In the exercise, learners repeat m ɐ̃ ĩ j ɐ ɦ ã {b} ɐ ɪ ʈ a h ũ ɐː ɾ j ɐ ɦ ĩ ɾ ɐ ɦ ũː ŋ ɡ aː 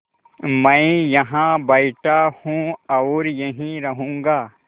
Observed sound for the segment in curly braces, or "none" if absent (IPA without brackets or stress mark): b